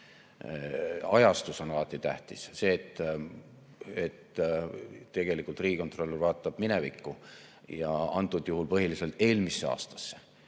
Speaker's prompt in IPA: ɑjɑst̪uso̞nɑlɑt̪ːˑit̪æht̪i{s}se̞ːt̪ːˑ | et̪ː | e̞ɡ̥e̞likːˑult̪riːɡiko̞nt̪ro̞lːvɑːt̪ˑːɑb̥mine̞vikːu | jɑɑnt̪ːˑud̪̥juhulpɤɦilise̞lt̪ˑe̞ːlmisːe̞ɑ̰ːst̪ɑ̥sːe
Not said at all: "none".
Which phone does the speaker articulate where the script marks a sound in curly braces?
s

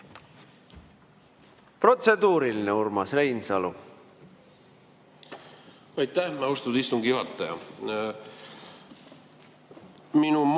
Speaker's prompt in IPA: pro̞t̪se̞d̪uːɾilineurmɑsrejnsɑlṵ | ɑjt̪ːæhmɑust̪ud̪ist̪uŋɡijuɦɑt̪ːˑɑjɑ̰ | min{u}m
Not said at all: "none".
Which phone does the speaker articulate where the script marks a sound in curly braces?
u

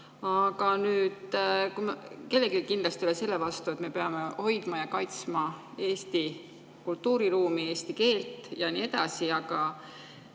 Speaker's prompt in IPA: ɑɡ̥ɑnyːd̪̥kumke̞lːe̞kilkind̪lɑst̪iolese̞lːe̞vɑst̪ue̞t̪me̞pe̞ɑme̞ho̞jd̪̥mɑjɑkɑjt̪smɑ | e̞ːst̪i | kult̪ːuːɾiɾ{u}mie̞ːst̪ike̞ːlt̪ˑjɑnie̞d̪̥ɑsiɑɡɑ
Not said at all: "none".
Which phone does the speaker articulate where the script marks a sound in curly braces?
uː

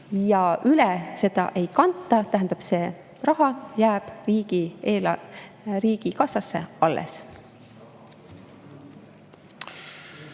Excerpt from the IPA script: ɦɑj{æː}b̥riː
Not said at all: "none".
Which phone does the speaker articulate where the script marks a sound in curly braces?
æː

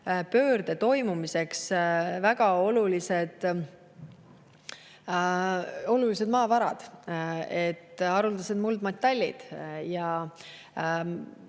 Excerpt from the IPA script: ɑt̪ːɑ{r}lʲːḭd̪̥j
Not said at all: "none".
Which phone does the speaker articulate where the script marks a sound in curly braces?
none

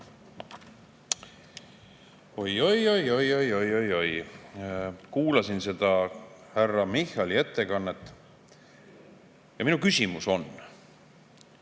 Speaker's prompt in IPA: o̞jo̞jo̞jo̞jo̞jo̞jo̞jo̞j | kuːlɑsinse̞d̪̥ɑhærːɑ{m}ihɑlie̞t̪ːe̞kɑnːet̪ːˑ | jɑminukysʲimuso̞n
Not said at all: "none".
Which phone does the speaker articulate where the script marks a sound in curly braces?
m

